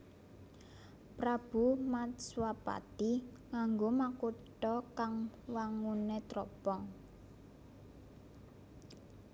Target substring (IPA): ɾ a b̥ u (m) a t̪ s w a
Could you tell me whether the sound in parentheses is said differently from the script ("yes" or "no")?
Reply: no